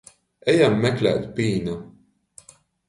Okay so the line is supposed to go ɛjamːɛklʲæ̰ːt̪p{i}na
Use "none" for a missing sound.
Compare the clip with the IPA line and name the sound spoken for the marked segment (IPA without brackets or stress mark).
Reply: iː